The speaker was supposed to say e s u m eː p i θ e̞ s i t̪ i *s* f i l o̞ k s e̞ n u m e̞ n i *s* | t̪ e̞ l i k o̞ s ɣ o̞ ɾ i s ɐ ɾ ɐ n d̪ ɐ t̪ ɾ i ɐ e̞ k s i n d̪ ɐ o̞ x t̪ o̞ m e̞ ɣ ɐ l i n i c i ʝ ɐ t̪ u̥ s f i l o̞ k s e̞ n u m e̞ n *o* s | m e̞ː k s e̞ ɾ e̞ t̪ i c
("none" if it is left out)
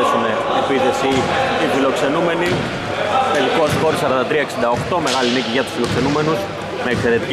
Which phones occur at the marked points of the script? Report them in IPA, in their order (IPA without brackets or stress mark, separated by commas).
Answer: none, none, u